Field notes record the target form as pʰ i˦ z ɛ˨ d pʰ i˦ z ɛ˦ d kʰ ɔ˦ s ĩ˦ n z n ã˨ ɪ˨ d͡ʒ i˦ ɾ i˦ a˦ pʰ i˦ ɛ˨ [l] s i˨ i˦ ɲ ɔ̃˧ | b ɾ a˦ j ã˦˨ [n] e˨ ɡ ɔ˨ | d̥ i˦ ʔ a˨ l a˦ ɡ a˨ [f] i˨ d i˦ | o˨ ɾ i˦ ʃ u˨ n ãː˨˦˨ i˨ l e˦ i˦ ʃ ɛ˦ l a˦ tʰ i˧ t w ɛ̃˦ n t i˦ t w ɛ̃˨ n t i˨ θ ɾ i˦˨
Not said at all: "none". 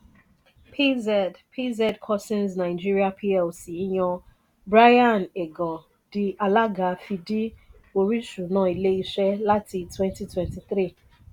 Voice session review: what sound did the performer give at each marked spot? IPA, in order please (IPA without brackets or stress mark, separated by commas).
l, n, f